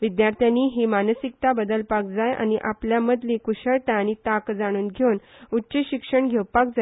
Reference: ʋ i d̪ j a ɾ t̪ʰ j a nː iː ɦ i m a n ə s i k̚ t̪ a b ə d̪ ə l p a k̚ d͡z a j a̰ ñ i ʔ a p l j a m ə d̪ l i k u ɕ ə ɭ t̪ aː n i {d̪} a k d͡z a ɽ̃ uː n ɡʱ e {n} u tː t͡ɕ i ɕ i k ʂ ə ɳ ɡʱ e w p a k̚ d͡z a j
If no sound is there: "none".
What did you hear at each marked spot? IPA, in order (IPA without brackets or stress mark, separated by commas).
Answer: t̪, n